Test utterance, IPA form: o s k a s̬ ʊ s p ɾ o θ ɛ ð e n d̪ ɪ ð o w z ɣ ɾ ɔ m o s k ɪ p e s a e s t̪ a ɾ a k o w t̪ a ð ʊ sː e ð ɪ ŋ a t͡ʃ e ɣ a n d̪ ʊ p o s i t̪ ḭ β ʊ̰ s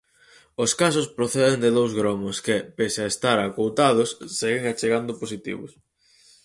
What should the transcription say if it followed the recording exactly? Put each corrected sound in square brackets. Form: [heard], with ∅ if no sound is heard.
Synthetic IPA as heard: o s k a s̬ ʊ s p ɾ o θ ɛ ð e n d̪ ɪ ð o w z ɣ ɾ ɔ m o s k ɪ p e s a e s t̪ a ɾ a k o w t̪ a ð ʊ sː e [ɣ] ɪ ŋ a t͡ʃ e ɣ a n d̪ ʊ p o s i t̪ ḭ β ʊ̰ s